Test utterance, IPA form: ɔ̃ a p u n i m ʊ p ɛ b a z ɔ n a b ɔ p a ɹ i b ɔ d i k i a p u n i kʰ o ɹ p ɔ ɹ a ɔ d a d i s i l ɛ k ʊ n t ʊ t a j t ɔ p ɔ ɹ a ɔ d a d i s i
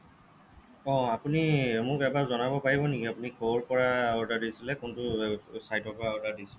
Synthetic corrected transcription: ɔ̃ a p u n i m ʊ k ɛ b a z ɔ n a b ɔ p a ɹ i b ɔ n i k i a p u n i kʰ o ɹ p ɔ ɹ a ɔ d a d i s i l ɛ k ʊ n t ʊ s a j t ɔ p ɔ ɹ a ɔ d a d i s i